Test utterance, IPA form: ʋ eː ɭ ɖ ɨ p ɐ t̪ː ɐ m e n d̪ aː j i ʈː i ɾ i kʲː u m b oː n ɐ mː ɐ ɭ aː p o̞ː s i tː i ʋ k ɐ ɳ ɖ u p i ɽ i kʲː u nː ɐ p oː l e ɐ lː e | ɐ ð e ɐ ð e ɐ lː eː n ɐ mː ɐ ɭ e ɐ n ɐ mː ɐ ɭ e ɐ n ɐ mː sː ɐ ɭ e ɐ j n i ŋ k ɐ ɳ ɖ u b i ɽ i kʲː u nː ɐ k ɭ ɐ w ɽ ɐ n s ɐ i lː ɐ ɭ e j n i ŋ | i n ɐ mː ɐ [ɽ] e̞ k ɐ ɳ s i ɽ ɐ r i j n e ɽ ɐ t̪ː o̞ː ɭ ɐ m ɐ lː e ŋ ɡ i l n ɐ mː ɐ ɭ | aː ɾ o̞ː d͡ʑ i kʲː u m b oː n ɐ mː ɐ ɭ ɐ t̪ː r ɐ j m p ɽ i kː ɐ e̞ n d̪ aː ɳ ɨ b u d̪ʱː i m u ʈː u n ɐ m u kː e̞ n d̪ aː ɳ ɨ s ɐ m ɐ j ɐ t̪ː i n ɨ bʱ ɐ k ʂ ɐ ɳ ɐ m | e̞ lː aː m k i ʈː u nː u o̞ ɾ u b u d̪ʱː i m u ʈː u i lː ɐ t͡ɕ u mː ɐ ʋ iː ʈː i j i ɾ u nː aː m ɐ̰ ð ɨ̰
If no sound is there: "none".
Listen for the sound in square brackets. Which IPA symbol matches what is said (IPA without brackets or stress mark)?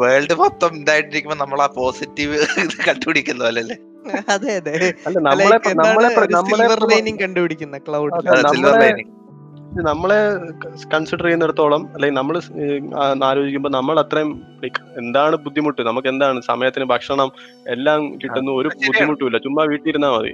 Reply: ɭ